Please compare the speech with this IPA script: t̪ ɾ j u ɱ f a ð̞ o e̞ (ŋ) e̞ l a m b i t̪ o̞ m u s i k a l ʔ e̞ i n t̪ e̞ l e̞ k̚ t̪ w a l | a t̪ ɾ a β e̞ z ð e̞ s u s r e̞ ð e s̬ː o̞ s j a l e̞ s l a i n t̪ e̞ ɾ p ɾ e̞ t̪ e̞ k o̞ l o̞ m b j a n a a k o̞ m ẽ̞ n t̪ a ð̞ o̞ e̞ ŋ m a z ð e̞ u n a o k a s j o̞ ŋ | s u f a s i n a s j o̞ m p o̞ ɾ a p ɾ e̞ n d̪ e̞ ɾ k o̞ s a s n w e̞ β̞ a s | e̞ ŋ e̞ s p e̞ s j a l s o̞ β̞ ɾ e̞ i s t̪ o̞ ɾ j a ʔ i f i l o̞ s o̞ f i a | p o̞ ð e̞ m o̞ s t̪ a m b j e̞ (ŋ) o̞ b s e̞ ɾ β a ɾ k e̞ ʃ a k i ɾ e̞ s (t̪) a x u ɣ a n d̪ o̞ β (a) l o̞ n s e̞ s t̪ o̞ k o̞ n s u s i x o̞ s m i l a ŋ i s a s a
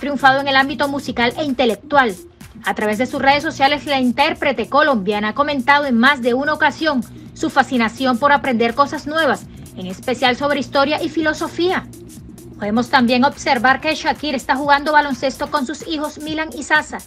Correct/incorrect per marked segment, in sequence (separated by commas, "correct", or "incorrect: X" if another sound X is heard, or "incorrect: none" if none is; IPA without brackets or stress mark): correct, correct, correct, correct